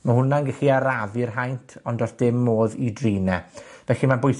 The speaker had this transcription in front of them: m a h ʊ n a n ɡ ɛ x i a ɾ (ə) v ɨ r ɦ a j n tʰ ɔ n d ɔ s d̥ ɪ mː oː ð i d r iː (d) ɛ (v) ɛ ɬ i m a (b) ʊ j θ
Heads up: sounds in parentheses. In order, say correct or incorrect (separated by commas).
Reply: incorrect, incorrect, correct, correct